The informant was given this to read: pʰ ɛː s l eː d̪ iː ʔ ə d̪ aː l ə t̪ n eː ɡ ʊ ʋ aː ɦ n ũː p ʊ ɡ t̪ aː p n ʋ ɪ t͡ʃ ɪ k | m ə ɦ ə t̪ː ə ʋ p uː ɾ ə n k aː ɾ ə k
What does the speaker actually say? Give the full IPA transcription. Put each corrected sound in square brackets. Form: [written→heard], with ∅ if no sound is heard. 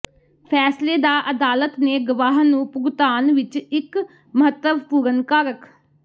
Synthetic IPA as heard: pʰ ɛː s l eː d̪ [iː→aː] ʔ ə d̪ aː l ə t̪ n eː ɡ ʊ ʋ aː ɦ n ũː p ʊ ɡ t̪ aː [p→∅] n ʋ ɪ t͡ʃ ɪ k | m ə ɦ ə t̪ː ə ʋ p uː ɾ ə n k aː ɾ ə k